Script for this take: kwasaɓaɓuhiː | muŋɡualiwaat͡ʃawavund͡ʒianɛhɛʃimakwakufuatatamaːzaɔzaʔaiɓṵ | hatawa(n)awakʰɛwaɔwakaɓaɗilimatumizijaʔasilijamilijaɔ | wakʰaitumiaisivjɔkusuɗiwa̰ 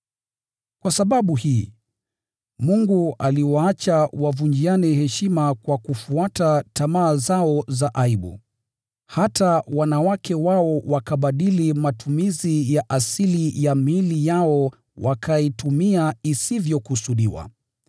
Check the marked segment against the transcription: correct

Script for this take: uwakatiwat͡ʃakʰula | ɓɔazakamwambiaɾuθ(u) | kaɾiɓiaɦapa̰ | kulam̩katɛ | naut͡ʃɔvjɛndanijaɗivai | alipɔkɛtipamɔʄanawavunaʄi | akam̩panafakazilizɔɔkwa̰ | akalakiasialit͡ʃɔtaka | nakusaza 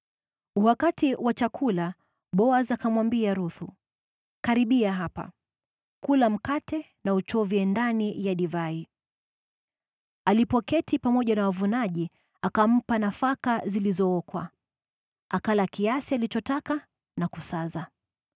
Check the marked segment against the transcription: correct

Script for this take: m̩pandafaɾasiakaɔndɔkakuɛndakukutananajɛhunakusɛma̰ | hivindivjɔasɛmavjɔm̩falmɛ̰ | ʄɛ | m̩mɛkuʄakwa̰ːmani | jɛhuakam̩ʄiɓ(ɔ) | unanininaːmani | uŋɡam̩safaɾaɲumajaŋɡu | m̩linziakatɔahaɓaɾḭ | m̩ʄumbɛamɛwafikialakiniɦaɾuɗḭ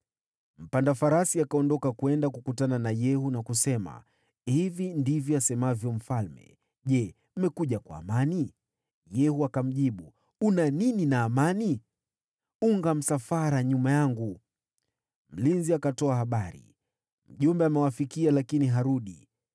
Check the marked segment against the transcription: incorrect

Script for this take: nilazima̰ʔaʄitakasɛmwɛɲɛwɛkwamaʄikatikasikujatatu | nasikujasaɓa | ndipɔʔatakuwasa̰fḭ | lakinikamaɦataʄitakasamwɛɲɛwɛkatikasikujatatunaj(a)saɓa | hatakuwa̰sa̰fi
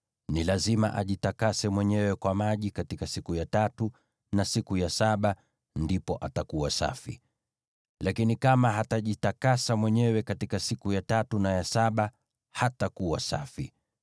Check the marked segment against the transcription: correct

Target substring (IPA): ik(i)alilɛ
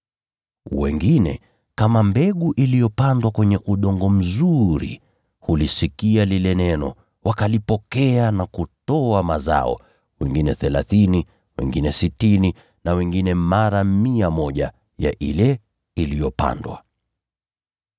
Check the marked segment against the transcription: correct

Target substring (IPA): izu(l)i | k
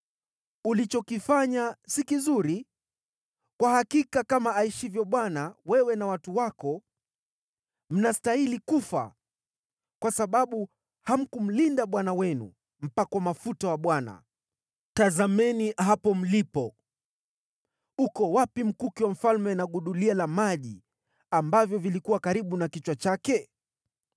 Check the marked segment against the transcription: incorrect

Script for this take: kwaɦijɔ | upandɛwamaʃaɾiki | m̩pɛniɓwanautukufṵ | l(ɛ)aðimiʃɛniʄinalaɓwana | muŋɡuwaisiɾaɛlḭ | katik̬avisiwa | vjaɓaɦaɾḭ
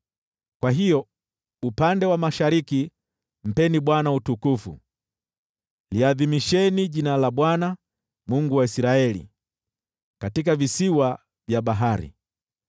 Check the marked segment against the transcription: incorrect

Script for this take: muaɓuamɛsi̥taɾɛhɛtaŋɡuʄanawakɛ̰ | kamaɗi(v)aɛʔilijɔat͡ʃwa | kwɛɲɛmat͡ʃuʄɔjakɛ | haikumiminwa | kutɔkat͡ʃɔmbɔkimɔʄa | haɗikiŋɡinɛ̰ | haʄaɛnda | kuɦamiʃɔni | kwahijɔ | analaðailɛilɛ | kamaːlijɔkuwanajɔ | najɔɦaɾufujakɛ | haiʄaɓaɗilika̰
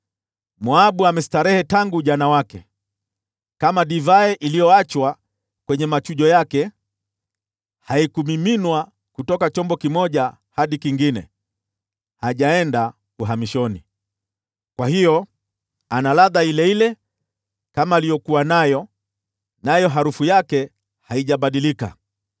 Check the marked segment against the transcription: correct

